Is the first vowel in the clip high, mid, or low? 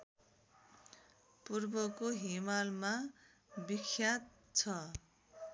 high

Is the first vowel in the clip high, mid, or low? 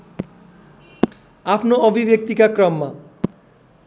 low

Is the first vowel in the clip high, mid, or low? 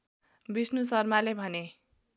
high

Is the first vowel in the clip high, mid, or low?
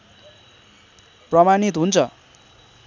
mid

